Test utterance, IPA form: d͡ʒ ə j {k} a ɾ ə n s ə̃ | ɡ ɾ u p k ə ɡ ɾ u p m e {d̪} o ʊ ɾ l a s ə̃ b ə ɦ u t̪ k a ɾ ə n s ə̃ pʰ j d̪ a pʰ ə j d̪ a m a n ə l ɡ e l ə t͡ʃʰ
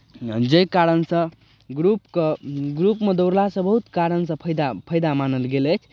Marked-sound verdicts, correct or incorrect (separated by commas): correct, correct